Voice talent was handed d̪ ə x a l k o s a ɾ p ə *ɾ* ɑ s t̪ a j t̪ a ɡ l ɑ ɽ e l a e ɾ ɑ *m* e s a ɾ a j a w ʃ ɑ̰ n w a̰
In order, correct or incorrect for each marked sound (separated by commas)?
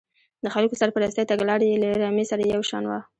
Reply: correct, correct